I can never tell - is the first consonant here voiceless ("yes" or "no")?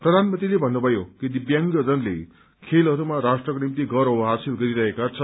yes